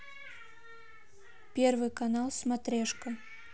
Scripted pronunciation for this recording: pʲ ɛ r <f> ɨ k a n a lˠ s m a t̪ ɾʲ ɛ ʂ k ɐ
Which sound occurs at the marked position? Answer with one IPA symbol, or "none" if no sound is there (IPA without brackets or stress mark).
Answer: v